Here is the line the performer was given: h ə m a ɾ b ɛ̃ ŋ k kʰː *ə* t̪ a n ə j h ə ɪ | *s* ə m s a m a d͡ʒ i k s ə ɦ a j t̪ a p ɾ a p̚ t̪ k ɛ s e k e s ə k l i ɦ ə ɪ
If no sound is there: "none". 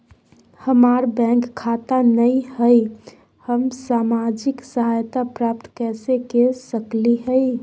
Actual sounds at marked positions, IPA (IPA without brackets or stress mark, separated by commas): a, h